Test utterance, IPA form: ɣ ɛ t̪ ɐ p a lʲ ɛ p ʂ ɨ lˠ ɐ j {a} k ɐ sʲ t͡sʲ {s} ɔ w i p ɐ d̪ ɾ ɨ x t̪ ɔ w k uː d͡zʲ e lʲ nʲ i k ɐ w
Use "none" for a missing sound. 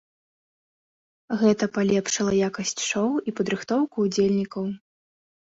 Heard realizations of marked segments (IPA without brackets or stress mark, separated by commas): a, ʂ